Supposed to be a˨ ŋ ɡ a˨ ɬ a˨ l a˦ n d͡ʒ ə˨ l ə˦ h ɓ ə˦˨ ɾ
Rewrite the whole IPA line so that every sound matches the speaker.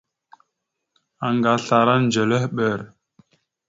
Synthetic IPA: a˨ ŋ ɡ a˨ ɬ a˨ ɾ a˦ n d͡ʒ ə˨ l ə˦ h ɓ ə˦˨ ɾ